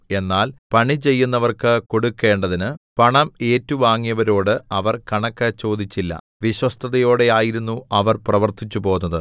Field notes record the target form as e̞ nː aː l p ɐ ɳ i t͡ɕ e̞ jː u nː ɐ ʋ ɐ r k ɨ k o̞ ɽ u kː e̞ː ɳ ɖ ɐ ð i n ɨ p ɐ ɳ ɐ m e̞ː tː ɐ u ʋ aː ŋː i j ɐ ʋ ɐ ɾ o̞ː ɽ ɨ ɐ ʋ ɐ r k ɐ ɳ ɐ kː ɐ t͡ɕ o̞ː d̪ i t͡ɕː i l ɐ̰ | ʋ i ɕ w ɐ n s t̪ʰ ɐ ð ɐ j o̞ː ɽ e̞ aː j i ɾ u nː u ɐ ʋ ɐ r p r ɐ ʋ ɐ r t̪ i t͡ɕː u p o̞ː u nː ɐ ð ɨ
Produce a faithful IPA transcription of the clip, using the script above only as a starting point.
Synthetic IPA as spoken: e̞ nː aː l p ɐ ɳ i t͡ɕ e̞ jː u nː ɐ ʋ ɐ r k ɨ k o̞ ɽ u kː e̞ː ɳ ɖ ɐ ð i n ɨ p ɐ ɳ ɐ m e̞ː tː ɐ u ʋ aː ŋː i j ɐ ʋ ɐ ɾ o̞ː ɽ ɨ ɐ ʋ ɐ r k ɐ ɳ ɐ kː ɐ t͡ɕ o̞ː d̪ i t͡ɕː i lː ɐ̰ | ʋ i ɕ w ɐ s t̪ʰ ɐ ð ɐ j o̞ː ɽ e̞ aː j i ɾ u nː u ɐ ʋ ɐ r p r ɐ ʋ ɐ r t̪ i t͡ɕː u p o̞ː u nː ɐ ð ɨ